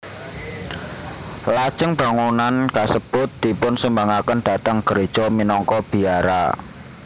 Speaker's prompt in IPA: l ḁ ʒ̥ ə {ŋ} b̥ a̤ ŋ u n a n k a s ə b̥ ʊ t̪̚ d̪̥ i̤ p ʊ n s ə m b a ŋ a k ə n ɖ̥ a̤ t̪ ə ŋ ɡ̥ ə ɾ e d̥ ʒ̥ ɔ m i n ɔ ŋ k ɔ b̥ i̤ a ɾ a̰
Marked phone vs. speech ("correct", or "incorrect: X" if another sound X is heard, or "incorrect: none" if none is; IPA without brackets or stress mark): correct